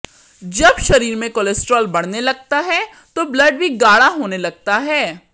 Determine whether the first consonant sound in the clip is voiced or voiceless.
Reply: voiced